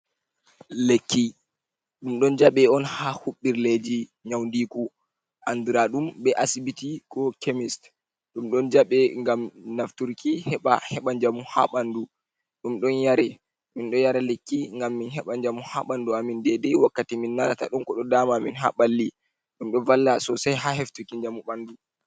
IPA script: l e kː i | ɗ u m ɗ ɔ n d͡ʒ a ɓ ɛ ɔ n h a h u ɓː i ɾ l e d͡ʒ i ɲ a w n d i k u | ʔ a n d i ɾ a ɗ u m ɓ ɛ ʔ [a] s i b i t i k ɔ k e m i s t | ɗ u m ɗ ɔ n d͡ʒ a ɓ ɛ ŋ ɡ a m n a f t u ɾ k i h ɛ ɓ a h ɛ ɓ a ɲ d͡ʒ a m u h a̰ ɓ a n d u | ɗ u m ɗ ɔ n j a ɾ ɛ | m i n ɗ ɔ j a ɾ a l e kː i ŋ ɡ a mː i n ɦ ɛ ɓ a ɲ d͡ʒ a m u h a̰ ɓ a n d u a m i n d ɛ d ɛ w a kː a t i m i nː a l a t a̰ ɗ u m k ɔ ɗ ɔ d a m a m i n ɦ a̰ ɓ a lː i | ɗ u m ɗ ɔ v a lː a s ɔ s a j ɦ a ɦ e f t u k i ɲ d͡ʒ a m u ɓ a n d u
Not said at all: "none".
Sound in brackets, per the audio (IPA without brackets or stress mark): a